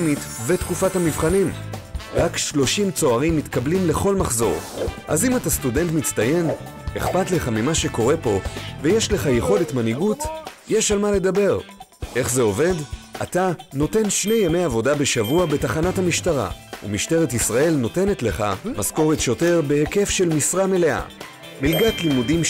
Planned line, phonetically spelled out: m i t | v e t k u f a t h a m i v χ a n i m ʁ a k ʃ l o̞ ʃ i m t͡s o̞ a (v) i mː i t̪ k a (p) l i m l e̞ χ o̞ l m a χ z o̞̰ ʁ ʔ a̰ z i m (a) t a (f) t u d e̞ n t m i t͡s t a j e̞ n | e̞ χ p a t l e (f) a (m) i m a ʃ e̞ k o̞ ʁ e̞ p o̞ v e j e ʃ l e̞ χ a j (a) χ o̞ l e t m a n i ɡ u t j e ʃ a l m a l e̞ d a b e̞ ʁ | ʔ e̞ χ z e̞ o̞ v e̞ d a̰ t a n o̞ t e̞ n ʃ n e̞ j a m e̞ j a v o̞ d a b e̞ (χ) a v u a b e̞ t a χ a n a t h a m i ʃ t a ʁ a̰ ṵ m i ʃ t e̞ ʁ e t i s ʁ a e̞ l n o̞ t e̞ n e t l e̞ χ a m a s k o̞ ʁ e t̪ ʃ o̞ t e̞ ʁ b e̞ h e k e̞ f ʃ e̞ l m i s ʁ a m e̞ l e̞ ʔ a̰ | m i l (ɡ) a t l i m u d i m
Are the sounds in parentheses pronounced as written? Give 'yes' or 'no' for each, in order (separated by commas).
no, no, yes, no, no, yes, no, no, yes